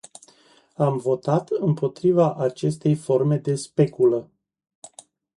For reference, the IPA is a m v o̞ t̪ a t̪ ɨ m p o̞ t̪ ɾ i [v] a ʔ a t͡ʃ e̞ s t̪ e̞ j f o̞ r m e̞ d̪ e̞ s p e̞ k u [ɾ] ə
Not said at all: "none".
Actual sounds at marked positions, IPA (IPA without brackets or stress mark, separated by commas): v, l